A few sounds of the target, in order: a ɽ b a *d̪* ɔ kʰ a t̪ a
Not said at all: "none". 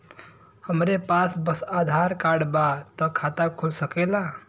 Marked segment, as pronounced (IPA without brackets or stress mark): t̪